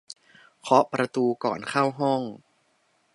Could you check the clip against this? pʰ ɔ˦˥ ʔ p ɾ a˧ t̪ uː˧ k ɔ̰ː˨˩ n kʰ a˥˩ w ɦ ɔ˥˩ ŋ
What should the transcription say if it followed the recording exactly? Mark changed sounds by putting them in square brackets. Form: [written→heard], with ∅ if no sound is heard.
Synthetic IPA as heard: [pʰ→kʰ] ɔ˦˥ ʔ p ɾ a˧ t̪ uː˧ k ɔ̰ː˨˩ n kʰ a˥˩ w ɦ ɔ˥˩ ŋ